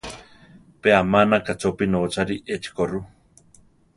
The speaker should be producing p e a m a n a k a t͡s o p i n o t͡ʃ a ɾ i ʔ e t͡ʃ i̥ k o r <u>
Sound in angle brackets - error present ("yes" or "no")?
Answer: no